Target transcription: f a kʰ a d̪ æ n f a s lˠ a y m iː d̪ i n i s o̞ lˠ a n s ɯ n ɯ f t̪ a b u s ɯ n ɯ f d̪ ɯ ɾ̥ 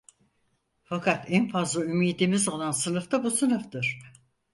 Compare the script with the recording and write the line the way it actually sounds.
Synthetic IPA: f a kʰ a t̪ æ n f a z lˠ a y m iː d̪ i m i z o̞ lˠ a n s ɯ n ɯ f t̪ a b u s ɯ n ɯ f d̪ ɯ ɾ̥

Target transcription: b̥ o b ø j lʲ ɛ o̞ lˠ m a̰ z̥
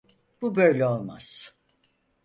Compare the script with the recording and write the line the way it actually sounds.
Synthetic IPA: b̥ u b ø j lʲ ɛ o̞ lˠ m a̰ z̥

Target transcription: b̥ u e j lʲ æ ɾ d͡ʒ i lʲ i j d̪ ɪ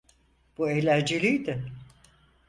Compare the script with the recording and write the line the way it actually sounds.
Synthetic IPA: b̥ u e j lʲ æ ɾ d͡ʒ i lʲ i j d̪ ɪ

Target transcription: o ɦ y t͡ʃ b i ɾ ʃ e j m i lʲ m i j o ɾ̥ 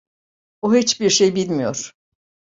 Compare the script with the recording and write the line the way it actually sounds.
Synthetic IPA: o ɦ i t͡ʃ b i ɾ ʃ e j b i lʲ m i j o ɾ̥

